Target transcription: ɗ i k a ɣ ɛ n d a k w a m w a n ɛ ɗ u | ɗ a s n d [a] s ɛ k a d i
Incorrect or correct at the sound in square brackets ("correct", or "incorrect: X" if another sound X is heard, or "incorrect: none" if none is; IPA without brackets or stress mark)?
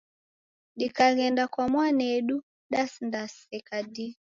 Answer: correct